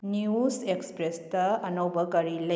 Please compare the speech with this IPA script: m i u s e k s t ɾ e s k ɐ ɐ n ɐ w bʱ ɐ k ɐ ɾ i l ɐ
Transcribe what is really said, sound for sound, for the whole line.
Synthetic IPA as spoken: n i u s e k s p ɾ e s t ɐ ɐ n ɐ w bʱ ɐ k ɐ ɾ i l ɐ